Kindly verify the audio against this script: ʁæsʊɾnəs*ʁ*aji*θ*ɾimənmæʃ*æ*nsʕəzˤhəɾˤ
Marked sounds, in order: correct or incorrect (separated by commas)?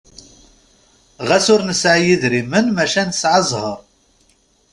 incorrect, incorrect, correct